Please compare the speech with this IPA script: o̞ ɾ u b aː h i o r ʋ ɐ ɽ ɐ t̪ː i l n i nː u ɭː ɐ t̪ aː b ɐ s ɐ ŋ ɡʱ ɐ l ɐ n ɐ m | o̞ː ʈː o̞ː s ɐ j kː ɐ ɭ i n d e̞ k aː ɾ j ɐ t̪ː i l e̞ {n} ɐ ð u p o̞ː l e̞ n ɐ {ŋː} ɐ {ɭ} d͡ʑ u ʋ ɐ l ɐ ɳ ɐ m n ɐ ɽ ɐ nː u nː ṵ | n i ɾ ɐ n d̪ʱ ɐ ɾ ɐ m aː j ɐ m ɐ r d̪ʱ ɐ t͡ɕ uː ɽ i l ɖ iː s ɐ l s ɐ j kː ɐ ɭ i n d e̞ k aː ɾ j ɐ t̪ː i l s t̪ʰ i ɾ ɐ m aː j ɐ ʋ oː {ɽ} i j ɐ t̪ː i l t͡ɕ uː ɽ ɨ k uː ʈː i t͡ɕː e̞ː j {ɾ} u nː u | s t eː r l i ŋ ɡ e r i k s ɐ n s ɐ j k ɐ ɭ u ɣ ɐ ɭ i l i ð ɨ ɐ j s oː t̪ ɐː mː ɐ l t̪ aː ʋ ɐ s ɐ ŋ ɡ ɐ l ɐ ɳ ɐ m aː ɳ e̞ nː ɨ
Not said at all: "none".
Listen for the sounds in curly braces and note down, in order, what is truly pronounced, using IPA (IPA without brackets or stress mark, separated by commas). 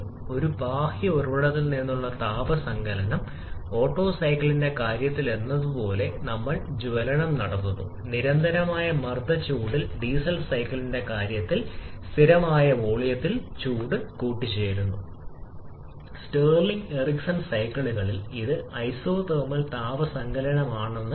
nː, mː, ɭ, ɭ, ɾ